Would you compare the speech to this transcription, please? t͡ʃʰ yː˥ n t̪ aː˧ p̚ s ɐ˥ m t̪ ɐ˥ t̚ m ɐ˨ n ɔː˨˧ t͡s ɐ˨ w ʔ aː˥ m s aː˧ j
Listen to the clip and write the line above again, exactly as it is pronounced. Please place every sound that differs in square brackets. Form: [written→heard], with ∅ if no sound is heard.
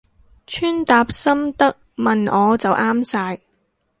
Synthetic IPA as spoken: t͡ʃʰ yː˥ n t̪ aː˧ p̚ s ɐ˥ m t̪ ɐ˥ [t̚→k̚] m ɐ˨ n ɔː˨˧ t͡s ɐ˨ w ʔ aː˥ m s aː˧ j